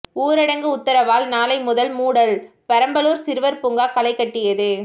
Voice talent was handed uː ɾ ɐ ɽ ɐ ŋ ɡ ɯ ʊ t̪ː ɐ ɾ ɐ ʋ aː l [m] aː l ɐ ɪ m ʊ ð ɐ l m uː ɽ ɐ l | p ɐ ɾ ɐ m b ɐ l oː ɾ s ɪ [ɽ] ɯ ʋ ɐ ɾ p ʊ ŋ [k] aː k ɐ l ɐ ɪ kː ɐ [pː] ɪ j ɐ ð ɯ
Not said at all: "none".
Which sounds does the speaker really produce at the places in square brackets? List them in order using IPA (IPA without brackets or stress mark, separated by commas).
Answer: n, ɾ, ɡ, ʈː